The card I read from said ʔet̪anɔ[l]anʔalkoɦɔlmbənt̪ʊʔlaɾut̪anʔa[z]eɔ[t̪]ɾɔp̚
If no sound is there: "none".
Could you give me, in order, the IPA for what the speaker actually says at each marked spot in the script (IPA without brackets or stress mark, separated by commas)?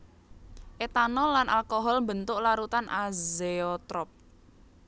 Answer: l, z, t̪